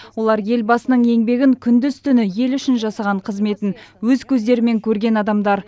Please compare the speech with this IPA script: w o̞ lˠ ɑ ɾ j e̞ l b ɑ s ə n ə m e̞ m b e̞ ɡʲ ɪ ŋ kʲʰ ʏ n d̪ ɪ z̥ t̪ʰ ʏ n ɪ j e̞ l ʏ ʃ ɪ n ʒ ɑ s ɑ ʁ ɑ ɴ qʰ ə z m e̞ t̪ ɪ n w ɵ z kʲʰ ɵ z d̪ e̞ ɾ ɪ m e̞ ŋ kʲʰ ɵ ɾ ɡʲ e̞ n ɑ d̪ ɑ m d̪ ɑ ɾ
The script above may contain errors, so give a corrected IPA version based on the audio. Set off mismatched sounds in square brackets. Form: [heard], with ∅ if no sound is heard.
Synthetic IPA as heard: w o̞ lˠ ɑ ɾ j e̞ l b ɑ s ə n ə [ɴ] e̞ [ŋ] b e̞ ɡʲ ɪ ŋ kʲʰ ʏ n d̪ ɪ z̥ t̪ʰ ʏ n ɪ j e̞ l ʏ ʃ ɪ n ʒ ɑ s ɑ ʁ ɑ ɴ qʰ ə z m e̞ t̪ ɪ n w ɵ z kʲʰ ɵ z d̪ e̞ ɾ ɪ m e̞ ŋ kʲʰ ɵ ɾ ɡʲ e̞ n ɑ d̪ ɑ m d̪ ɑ ɾ